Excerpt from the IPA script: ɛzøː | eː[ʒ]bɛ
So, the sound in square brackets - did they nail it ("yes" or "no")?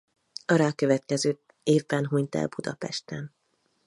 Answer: no